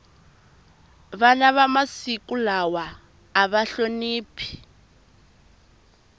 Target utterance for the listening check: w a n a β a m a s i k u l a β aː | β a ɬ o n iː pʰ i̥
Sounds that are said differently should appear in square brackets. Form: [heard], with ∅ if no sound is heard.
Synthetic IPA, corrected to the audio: [β] a n a β a m a s i k u l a [w] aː | β a ɬ o n iː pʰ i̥